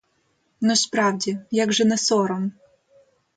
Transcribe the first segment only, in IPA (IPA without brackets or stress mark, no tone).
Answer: n